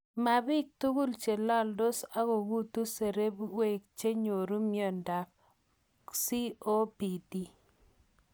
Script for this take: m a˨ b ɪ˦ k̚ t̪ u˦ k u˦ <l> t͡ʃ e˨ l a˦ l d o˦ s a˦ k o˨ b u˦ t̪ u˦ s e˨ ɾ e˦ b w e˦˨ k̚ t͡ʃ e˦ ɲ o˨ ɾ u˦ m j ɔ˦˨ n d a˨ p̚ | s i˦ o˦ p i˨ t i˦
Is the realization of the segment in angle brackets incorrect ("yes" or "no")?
no